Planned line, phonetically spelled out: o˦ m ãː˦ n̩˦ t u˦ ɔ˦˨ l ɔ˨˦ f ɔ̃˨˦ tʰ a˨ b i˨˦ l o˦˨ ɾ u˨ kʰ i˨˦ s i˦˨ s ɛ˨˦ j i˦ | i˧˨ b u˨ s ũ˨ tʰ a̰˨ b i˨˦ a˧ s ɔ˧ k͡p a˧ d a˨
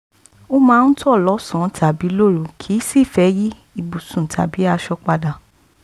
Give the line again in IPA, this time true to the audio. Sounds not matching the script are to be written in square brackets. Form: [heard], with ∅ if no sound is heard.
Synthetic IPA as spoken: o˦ m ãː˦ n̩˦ t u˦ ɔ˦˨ l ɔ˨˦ [s] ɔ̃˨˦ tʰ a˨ b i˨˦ l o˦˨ ɾ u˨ kʰ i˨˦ s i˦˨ [f] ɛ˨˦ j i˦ | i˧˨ b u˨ s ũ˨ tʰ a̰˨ b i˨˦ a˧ [ʃ] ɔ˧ k͡p a˧ d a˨